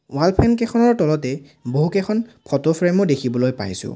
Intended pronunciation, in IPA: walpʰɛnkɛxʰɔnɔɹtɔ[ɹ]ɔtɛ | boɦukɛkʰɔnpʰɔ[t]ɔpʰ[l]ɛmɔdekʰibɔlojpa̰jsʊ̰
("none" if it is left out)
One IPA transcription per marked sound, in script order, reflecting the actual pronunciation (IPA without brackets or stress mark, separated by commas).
l, t, ɹ